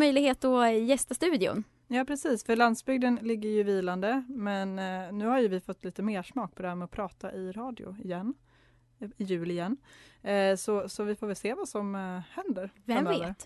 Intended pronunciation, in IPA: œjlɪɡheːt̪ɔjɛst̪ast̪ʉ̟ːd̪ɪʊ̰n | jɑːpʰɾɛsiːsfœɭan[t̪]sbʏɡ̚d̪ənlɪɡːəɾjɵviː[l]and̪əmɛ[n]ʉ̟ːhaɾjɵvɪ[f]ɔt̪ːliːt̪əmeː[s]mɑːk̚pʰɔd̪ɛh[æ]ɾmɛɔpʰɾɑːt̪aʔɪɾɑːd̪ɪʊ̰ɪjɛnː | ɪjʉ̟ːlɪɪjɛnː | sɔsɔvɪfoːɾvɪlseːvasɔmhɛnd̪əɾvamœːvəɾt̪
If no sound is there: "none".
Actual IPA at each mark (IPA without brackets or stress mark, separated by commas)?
d̪, l, nː, f, ʂ, æ